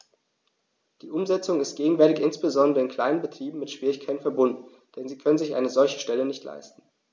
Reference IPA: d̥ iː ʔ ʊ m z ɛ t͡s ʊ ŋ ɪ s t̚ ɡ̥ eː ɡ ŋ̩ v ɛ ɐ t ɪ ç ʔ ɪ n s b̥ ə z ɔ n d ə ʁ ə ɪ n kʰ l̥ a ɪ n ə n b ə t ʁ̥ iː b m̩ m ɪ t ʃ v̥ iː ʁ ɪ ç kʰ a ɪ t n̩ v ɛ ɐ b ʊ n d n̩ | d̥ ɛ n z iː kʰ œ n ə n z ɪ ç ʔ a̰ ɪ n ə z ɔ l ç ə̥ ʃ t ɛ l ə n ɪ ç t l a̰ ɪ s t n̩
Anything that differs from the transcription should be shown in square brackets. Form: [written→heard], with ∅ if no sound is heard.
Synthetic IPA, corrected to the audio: d̥ iː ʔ ʊ m z ɛ t͡s ʊ ŋ ɪ s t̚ ɡ̥ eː ɡ ŋ̩ v ɛ ɐ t ɪ ç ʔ ɪ n s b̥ ə z ɔ n d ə ʁ ə ɪ n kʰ l̥ a ɪ n ə n b ə t ʁ̥ iː b m̩ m ɪ t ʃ v̥ iː ʁ ɪ ç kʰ a ɪ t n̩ [v→f] ɛ ɐ b ʊ n d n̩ | d̥ ɛ n z iː kʰ œ n ə n z ɪ ç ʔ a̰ ɪ n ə z ɔ l ç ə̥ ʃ t ɛ l ə n ɪ ç t l a̰ ɪ s t n̩